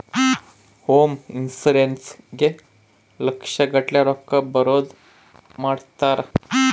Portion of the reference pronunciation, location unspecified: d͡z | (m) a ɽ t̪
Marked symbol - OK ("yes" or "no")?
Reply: yes